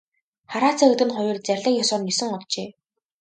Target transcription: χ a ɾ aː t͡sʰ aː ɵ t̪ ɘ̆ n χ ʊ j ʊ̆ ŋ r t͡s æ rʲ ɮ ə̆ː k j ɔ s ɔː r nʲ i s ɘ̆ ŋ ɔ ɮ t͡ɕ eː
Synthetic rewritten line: χ a ɾ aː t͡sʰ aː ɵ t̪ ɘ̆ n χ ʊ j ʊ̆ r t͡s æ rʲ ɮ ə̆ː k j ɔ s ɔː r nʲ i s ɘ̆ ŋ ɔ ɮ t͡ɕ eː

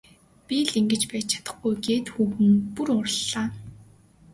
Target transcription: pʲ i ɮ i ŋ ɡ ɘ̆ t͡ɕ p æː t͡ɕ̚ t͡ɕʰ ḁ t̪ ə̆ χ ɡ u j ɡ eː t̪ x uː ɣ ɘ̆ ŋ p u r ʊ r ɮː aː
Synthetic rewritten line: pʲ i ɮ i ŋ ɡ ɘ̆ t͡ɕ p æː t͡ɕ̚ t͡ɕʰ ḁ t̪ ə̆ χ ɡ u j ɡ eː t̪ x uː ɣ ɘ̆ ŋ p u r ʊ r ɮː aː

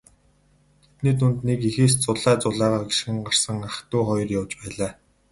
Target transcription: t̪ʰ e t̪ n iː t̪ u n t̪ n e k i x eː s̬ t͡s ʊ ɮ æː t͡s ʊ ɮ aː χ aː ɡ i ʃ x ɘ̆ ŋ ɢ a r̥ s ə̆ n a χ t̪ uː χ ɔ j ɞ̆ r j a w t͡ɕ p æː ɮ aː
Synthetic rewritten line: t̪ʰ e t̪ n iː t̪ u n t̪ n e k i x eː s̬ t͡s ʊ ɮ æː t͡s ʊ ɮ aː ʁ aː ɡ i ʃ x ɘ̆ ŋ ɢ a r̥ s ə̆ ŋ a χ t̪ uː χ ɔ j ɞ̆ r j a w t͡ɕ p æː ɮ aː

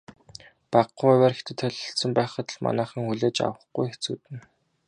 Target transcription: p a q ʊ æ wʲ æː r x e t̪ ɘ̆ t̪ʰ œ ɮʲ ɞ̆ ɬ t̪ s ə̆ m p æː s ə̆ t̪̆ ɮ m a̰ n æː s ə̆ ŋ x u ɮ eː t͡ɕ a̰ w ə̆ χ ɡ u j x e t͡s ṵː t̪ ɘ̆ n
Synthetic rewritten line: p a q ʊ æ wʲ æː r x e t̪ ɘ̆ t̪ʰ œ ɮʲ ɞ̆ ɬ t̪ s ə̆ m p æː χ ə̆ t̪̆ ɮ m a̰ n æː χ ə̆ ŋ x u ɮ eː t͡ɕ a̰ w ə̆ χ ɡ u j x e t͡s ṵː t̪ ɘ̆ n

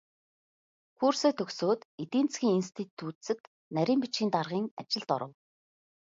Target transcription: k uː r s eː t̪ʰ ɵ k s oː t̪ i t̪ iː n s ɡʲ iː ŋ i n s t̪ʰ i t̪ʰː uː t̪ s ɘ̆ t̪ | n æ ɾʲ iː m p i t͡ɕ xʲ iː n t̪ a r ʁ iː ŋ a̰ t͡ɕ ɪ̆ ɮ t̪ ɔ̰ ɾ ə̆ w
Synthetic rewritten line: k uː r s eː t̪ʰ ɵ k s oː t̪ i t̪ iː n t͡s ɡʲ iː ŋ i n s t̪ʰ i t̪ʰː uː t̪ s ɘ̆ t̪ | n æ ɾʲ iː m p i t͡ɕ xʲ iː n t̪ a r ʁ iː ŋ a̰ t͡ɕ ɪ̆ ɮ t̪ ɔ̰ ɾ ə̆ w

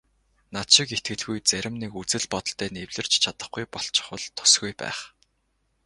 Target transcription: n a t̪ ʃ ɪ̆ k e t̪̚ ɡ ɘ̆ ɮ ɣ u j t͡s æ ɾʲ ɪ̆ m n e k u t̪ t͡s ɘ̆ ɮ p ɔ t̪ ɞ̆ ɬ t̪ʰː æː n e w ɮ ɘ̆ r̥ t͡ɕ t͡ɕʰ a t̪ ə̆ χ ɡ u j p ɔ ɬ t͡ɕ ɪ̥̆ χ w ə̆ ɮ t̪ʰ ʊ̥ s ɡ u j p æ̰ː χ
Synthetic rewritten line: n a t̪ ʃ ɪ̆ k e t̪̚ ɡ ɘ̆ ɮ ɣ u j t͡s æ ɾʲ ɪ̆ m n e k u t͡s ɘ̆ ɮ p ɔ t̪ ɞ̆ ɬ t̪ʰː æː n e w ɮ ɘ̆ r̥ t͡ɕ t͡ɕʰ a t̪ ə̆ χ ɡ u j p ɔ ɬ t͡ɕ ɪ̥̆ χ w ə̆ ɮ t̪ʰ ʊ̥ s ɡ u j p æ̰ː χ

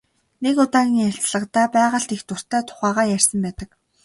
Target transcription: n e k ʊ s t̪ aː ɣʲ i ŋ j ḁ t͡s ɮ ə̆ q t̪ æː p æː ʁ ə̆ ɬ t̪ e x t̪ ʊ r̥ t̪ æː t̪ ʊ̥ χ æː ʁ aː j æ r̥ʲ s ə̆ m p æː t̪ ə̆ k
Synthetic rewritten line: n e k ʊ t̪ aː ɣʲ i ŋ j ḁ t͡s ɮ ə̆ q t̪ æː p æː ʁ ə̆ ɬ t̪ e x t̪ ʊ r̥ t̪ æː t̪ʰ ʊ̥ χ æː ʁ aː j æ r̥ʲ s ə̆ m p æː t̪ ə̆ k

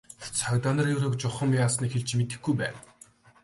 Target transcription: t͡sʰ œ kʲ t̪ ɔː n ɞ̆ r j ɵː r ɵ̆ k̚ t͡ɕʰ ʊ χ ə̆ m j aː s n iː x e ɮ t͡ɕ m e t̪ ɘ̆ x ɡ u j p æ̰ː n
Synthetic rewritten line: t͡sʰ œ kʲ t̪ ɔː n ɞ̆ r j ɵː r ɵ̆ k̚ t͡ɕ ʊ χ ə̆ m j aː s n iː x e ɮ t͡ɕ m e t̪ ɘ̆ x ɡ u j p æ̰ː n

